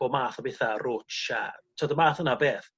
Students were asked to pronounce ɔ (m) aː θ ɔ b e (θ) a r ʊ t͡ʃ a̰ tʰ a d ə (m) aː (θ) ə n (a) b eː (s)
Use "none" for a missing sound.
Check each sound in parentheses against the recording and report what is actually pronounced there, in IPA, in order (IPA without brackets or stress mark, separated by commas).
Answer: m, θ, m, θ, a, θ